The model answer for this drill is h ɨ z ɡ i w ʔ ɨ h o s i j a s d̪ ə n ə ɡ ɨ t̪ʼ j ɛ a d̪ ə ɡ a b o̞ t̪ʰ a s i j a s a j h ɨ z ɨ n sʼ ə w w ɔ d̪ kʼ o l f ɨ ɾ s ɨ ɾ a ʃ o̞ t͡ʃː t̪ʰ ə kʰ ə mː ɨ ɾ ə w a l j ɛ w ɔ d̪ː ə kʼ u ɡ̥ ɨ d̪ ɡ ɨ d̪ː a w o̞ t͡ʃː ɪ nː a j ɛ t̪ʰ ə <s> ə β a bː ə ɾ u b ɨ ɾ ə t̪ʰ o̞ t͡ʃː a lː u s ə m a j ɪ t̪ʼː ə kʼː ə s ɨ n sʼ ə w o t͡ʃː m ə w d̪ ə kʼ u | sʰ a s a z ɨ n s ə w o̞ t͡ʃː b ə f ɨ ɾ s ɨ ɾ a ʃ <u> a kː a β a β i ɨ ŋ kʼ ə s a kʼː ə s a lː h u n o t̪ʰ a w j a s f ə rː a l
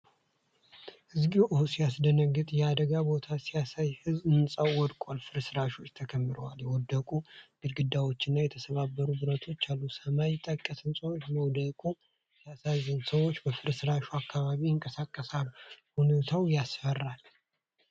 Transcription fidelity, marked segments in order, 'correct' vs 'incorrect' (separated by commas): correct, correct